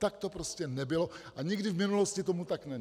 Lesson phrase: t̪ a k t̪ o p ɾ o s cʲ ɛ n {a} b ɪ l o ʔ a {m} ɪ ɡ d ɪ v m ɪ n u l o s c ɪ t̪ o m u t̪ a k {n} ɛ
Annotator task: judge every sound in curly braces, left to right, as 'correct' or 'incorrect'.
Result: incorrect: ɛ, incorrect: ɲ, correct

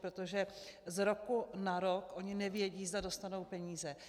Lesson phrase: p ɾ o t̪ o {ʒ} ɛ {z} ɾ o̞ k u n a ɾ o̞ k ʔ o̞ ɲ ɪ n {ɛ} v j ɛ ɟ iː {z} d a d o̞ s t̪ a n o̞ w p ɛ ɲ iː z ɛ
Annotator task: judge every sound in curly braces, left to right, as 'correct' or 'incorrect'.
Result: correct, correct, correct, correct

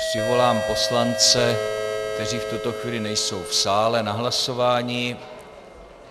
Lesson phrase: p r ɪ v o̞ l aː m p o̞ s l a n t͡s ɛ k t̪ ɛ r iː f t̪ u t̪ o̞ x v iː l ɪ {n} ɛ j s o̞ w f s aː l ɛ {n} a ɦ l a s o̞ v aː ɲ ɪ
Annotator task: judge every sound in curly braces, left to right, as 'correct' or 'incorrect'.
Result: correct, correct

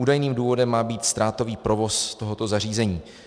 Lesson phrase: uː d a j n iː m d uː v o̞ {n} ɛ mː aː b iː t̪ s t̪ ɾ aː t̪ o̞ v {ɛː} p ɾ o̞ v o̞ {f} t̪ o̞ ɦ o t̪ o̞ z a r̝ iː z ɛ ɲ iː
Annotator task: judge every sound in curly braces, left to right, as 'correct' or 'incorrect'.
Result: incorrect: d, incorrect: iː, incorrect: s

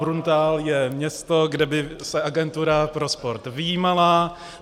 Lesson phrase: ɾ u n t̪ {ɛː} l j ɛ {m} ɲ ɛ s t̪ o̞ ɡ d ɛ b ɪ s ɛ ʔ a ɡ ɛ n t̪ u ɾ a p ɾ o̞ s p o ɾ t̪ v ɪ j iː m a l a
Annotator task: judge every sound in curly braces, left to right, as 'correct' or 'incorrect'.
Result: incorrect: aː, correct

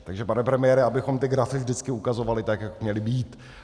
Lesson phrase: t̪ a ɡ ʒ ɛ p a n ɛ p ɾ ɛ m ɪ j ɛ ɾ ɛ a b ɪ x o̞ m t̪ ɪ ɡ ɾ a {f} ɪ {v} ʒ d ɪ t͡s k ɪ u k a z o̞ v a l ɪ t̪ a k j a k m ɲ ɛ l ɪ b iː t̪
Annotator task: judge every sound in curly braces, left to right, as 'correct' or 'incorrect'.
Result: correct, correct

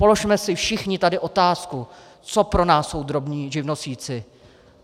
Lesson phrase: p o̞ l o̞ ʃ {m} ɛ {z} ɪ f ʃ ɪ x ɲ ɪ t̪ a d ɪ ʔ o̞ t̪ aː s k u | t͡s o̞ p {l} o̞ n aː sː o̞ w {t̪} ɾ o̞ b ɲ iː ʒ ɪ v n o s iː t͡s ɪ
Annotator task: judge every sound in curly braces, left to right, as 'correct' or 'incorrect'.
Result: correct, incorrect: s, incorrect: ɾ, incorrect: d̪

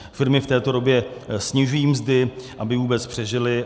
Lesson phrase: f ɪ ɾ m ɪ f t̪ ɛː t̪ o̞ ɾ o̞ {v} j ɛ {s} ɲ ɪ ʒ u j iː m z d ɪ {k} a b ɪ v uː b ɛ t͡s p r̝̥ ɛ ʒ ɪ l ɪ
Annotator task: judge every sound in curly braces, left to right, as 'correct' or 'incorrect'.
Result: incorrect: b, correct, incorrect: ʔ

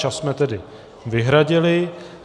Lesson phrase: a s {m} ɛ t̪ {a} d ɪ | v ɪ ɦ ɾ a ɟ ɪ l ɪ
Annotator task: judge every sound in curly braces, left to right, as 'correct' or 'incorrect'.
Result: correct, incorrect: ɛ

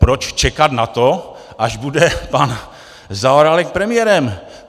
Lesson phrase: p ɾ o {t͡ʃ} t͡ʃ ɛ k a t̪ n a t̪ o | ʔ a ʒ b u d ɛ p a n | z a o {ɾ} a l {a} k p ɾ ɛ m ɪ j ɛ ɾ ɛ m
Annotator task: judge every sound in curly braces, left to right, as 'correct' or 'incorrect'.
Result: correct, correct, incorrect: ɛ

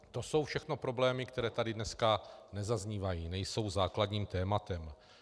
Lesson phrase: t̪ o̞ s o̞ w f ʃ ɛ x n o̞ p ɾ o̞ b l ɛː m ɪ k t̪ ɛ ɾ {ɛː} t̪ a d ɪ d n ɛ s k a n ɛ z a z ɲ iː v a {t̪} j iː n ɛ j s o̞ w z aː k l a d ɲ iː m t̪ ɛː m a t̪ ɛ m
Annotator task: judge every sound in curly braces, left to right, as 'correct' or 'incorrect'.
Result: correct, incorrect: none

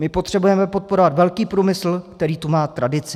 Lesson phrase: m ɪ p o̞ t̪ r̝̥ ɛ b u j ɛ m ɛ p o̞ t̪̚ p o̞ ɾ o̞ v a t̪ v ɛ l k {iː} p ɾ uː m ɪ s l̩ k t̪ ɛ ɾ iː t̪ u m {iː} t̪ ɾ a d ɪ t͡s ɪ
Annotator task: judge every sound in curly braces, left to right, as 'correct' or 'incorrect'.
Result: correct, incorrect: aː

